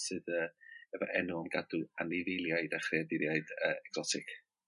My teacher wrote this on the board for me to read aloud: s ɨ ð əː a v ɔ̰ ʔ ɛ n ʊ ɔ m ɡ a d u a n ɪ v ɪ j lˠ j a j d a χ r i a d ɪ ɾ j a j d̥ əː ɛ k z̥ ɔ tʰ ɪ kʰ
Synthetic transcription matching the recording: s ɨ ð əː ɛ v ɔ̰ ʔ ɛ n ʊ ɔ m ɡ a d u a n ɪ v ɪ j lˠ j a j d a χ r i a d ɪ ɾ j a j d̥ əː ɛ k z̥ ɔ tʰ ɪ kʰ